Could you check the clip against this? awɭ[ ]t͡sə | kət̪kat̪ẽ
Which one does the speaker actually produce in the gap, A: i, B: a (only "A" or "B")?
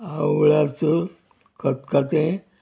B